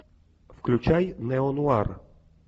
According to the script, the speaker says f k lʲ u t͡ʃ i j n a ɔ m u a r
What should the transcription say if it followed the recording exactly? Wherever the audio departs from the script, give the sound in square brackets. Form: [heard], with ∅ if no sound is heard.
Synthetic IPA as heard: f k lʲ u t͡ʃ [a] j n [ɛ] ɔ [n] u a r